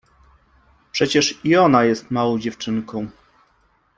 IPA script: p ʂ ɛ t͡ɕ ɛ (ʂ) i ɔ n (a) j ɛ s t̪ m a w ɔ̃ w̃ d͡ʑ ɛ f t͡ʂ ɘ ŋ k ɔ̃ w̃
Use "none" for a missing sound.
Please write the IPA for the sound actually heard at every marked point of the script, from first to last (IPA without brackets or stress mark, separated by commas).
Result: ʂ, a